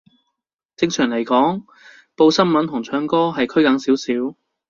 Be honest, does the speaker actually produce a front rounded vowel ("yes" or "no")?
yes